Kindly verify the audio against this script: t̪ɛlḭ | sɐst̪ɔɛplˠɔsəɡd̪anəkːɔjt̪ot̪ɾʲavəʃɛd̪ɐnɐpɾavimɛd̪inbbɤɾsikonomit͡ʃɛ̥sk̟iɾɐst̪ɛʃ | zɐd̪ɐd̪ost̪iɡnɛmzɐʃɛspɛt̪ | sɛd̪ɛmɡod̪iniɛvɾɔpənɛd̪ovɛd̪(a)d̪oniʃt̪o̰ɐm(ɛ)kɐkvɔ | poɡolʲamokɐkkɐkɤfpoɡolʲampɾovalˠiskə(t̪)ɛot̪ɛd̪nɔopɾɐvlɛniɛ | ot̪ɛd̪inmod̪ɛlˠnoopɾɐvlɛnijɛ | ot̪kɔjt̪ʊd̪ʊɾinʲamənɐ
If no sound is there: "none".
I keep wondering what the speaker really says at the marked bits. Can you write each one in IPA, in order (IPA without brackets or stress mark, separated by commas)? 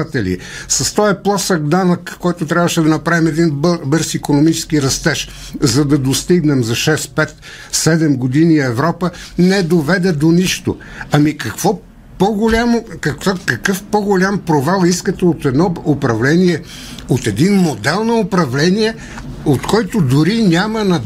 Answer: ɛ, i, t̪